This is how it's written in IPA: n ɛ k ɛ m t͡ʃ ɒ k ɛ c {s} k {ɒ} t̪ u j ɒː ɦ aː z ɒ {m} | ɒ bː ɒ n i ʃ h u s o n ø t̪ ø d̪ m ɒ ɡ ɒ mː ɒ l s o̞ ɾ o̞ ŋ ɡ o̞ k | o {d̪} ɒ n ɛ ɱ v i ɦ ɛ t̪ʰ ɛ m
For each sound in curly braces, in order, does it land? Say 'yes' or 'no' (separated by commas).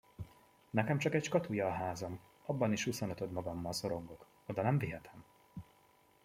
no, yes, yes, yes